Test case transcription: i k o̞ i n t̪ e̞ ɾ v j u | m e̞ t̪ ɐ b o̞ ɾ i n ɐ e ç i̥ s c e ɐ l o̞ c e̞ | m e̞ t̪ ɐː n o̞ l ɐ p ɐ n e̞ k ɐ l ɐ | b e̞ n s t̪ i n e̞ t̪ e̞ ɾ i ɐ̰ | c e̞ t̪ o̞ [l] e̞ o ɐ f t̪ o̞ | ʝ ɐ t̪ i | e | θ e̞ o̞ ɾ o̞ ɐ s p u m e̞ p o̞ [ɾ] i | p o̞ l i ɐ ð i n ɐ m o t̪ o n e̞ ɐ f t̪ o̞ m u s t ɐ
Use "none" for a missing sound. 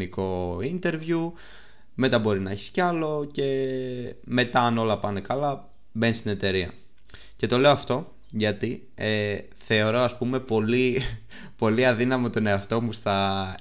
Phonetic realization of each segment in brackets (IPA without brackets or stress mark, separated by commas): l, l